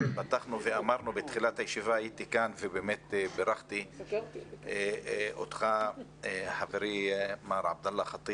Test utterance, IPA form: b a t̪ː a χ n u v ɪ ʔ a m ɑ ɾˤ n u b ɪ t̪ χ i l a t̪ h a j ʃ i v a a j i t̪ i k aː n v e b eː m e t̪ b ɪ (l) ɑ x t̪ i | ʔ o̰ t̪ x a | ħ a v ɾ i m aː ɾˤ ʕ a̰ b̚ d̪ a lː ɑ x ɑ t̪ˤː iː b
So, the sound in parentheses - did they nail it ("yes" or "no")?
no